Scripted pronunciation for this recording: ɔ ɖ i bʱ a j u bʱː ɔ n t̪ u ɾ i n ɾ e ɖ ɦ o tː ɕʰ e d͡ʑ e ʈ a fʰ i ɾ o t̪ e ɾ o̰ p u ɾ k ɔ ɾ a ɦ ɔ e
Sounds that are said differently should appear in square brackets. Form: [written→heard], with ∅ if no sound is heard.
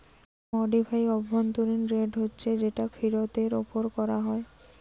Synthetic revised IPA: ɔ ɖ i bʱ a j [u→ɔ] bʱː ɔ n t̪ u ɾ i n ɾ e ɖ ɦ o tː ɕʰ e d͡ʑ e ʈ a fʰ i ɾ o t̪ e ɾ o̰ p [u→o] ɾ k ɔ ɾ a ɦ ɔ e